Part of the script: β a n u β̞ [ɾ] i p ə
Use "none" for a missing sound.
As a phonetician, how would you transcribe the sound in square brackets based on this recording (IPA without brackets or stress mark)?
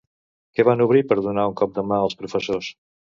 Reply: ɾ